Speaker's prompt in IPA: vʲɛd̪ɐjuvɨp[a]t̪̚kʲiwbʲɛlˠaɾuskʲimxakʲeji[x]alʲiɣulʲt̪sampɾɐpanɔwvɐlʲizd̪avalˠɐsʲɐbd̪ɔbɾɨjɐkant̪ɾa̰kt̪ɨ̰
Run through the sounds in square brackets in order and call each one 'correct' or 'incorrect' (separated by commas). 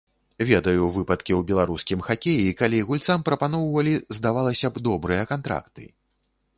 incorrect, incorrect